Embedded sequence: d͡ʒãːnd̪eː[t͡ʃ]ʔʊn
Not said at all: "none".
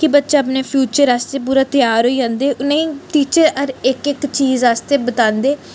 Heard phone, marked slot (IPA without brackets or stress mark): none